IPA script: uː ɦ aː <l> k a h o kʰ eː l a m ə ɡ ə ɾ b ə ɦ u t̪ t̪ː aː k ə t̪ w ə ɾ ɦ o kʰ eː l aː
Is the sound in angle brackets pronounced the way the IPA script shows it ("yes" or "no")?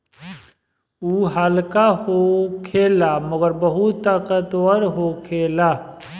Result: yes